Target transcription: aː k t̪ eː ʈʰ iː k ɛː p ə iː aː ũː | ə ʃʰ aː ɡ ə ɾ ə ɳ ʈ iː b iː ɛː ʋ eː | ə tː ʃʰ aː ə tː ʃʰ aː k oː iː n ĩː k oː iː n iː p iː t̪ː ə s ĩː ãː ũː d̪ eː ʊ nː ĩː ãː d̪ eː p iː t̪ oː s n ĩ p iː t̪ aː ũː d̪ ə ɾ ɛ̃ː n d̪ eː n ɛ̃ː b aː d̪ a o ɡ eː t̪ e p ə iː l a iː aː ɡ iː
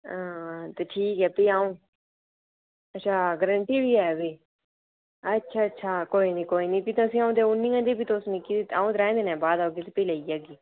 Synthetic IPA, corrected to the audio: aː t̪ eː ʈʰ iː k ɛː p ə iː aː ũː | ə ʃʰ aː ɡ ə ɾ ə ɳ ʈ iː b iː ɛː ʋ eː | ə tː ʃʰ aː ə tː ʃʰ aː k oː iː n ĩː k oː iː n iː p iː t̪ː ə s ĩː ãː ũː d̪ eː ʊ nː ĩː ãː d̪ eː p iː t̪ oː s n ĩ k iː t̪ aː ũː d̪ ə ɾ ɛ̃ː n d̪ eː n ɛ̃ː b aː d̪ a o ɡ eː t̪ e p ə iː l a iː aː ɡ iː

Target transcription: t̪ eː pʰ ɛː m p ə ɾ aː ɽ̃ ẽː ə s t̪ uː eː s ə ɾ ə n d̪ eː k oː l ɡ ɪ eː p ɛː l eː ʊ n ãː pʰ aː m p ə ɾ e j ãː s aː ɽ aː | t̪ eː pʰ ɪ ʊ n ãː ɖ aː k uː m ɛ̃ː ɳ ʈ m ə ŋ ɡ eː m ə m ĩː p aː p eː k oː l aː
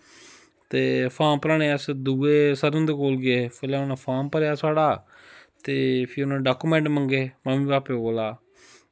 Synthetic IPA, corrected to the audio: t̪ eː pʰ aː m p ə ɾ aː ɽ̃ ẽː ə s d̪ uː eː s ə ɾ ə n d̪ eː k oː l ɡ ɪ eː p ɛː l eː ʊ n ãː pʰ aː m p ə ɾ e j aː s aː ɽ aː | t̪ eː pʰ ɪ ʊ n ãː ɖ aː k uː m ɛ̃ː ɳ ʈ m ə ŋ ɡ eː m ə m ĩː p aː p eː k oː l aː

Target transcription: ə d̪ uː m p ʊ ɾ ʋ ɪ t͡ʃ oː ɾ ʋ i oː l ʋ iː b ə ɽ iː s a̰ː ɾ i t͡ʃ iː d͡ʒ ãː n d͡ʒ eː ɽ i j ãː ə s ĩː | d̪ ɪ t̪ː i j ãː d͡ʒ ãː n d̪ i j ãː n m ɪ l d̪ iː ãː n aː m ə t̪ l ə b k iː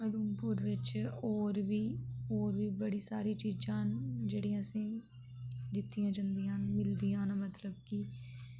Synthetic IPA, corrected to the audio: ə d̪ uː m p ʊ ɾ ʋ ɪ t͡ʃ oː ɾ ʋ iː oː ɾ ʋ iː b ə ɽ iː s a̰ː ɾ iː t͡ʃ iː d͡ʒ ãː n d͡ʒ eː ɽ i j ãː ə s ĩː | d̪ ɪ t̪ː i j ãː d͡ʒ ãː n d̪ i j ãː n m ɪ l d̪ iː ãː n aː m ə t̪ l ə b k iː

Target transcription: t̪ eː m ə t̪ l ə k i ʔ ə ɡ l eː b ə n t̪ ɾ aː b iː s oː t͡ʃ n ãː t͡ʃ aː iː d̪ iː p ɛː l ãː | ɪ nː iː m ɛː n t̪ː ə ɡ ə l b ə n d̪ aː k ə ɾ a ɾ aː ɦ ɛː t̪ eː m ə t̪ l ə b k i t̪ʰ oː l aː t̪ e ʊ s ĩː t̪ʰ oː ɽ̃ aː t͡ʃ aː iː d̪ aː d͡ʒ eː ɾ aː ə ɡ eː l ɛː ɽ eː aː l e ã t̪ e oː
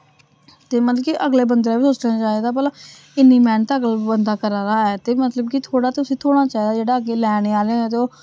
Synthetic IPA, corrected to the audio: t̪ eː m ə t̪ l ə k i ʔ ə ɡ l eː b ə n d̪ ɾ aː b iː s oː t͡ʃ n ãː t͡ʃ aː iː d̪ aː p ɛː l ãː | ɪ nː iː m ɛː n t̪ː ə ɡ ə l b ə n d̪ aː k ə ɾ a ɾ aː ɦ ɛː t̪ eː m ə t̪ l ə b k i t̪ʰ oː ɽ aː t̪ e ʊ s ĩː t̪ʰ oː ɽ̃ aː t͡ʃ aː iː d̪ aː d͡ʒ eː ɽ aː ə ɡ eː l ɛː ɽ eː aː l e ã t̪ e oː

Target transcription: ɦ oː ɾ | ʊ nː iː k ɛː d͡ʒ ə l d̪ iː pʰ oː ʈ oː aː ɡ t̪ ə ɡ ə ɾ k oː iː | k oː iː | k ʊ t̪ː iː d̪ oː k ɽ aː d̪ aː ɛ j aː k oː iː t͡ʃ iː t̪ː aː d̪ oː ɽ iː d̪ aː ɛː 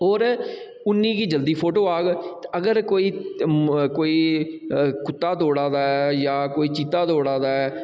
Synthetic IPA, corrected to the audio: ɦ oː ɾ | ʊ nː iː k iː d͡ʒ ə l d̪ iː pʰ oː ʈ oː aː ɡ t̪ ə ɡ ə ɾ k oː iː | k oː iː | k ʊ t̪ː aː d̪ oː ɽ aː d̪ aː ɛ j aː k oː iː t͡ʃ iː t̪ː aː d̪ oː ɽ aː d̪ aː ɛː

